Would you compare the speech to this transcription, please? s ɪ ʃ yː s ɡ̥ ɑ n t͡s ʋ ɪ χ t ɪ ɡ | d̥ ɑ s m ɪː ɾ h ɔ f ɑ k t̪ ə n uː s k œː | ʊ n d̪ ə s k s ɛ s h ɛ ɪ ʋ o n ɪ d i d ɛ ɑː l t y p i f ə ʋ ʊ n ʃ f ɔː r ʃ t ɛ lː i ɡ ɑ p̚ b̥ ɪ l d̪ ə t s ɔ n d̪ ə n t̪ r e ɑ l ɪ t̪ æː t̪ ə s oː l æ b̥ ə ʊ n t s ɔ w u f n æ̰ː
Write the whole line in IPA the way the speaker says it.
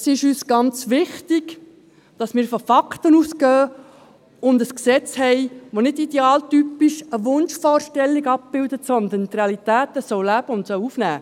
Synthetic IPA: s ɪ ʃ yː s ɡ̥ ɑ n t͡s ʋ ɪ χ t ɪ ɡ | d̥ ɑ s m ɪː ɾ f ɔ f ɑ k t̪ ə n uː s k œː | ʊ n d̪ ə s k s ɛ t͡s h ɛ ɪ ʋ o n ɪ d i d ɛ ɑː l t y p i ʃ ə ʋ ʊ n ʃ f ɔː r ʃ t ɛ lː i ɡ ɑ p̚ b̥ ɪ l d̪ ə t s ɔ n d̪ ə n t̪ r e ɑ l i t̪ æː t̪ ə s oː l æ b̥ ə ʊ n t s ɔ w u f n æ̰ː

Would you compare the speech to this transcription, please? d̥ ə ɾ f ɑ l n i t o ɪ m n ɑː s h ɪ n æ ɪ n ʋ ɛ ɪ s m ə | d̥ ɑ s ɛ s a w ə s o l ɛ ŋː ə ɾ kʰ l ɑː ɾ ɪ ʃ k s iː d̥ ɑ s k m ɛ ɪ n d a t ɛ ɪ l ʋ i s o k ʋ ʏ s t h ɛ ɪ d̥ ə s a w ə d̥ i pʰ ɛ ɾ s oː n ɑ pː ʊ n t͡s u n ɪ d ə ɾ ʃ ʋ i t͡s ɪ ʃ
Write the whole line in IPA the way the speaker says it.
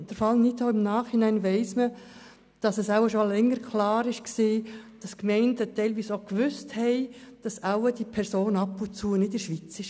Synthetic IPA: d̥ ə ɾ f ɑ l n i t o ɪ m n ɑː χ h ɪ n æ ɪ n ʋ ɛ ɪ s m ə | d̥ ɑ s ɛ s a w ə ʃ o l ɛ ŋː ə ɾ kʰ l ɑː ɾ ɪ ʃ k s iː d̥ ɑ s k m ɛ ɪ n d ə t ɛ ɪ l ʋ iː s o k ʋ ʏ s t h ɛ ɪ d̥ ɑ s a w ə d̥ i pʰ ɛ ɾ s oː n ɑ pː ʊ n t͡s u n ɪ d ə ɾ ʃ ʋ i t͡s ɪ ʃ

